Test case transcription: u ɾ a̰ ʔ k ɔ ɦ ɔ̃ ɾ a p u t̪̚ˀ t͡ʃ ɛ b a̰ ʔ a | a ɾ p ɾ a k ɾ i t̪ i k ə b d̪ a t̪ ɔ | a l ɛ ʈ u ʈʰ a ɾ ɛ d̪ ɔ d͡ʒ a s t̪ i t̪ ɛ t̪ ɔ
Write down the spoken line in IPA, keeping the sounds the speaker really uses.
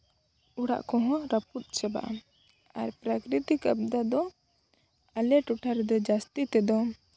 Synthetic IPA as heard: u ɽ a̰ ʔ k ɔ ɦ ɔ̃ ɾ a p u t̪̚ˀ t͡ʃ ɛ b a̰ ʔ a | a ɾ p ɾ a k ɾ i t̪ i k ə b d̪ a d̪ ɔ | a l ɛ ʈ u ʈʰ a ɾ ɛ d̪ ɔ d͡ʒ a s t̪ i t̪ ɛ d̪ ɔ